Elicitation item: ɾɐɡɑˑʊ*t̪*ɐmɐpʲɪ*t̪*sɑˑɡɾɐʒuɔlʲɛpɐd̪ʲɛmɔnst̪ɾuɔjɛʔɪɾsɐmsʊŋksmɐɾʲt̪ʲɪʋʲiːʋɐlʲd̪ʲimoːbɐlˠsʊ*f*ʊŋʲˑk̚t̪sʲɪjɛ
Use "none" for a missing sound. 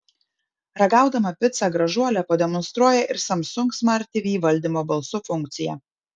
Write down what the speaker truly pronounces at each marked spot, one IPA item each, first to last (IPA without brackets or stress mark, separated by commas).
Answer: d̪, t̪, f